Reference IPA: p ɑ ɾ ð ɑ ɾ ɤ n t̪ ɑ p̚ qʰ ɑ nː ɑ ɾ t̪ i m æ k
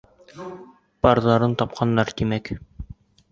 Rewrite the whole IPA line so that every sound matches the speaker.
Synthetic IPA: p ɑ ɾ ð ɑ ɾ ɤ n t̪ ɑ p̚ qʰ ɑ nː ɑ ɾ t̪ i m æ k